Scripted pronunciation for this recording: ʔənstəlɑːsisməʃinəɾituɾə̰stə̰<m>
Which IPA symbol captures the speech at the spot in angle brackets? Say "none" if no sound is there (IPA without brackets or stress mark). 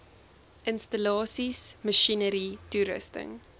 ŋ